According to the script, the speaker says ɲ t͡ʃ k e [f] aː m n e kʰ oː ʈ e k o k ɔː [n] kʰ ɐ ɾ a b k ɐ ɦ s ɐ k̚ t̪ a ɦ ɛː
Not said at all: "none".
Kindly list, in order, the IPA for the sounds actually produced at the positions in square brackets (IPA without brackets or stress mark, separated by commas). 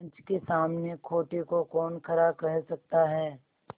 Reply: s, n